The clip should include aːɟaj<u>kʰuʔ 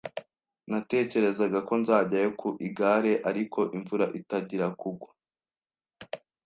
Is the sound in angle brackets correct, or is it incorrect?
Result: incorrect: o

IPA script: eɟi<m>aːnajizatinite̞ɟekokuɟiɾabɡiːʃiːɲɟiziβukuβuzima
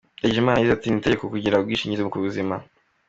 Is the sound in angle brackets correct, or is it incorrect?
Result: correct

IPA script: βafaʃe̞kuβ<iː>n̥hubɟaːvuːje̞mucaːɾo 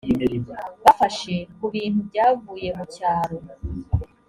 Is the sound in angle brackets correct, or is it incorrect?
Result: correct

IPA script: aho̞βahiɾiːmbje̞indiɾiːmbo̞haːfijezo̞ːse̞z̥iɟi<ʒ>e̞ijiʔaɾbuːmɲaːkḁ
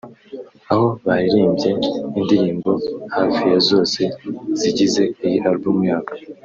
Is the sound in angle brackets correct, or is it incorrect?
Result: incorrect: z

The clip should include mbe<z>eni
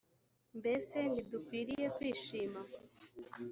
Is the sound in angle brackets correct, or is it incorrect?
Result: incorrect: s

